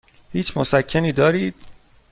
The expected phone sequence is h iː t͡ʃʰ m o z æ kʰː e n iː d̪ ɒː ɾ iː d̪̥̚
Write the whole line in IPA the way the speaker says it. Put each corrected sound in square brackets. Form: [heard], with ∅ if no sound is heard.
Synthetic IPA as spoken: h iː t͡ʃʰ m o [s] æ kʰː e n iː d̪ ɒː ɾ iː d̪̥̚